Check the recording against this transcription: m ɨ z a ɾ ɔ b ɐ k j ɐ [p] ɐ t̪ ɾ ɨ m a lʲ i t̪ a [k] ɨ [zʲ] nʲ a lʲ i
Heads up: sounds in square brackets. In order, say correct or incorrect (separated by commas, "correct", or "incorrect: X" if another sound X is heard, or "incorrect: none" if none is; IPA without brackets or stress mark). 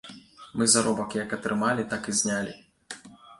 incorrect: k, correct, correct